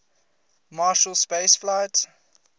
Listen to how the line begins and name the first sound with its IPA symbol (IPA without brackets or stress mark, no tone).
m